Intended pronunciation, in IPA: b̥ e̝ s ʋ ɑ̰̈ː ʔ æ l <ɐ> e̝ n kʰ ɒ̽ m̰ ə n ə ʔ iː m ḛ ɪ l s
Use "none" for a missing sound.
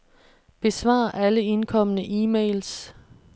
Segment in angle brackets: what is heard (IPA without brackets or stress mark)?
ə